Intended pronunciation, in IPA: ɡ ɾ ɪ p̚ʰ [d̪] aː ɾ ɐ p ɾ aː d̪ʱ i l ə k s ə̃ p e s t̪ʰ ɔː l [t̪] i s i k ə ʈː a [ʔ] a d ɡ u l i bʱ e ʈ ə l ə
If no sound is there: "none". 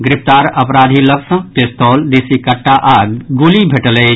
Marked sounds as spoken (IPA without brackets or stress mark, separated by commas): t̪, d̪, ʔ